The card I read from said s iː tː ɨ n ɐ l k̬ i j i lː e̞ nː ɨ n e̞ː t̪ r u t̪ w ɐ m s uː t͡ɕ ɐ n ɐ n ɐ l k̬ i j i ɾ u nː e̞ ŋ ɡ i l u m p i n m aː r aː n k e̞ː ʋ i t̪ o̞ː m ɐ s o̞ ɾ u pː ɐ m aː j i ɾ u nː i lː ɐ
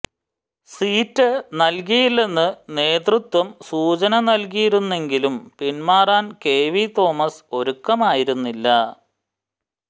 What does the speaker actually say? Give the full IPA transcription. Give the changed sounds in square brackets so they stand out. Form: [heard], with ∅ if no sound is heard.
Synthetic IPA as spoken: s iː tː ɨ n ɐ l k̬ i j i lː e̞ nː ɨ n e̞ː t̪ r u t̪ w ɐ m s uː t͡ɕ ɐ n ɐ n ɐ l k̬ i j i ɾ u nː e̞ ŋ ɡ i l u m p i n m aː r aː n k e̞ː ʋ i t̪ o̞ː m ɐ s o̞ ɾ u [kː] ɐ m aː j i ɾ u nː i lː ɐ